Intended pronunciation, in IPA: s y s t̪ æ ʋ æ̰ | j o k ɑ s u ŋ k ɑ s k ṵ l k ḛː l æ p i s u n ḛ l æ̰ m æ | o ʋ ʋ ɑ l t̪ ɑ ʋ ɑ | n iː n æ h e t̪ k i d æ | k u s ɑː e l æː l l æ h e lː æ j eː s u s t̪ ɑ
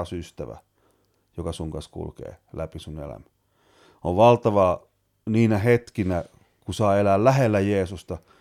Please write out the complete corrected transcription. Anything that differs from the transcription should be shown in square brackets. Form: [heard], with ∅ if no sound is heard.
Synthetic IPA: s y s t̪ æ ʋ æ̰ | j o k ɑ s u ŋ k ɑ s k ṵ l k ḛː l æ p i s u n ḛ l æ̰ m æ | o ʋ ʋ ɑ l t̪ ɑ ʋ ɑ | n iː n æ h e t̪ k i [n] æ | k u s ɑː e l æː l l æ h e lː æ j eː s u s t̪ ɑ